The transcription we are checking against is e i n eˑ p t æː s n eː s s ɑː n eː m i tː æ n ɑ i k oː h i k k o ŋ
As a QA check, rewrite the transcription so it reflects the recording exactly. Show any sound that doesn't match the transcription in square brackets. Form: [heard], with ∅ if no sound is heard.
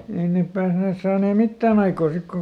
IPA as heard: e i n eˑ p [p] æː s n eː s s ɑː n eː m i tː [æː] n ɑ i k oː [s] i k k o ŋ